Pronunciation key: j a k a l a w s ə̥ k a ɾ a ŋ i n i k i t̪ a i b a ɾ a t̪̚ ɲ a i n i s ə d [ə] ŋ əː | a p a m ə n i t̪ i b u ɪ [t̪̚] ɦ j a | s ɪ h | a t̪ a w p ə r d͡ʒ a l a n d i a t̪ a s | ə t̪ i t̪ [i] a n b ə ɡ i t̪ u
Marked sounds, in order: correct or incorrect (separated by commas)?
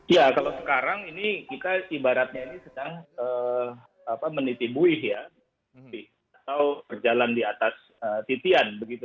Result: incorrect, incorrect, correct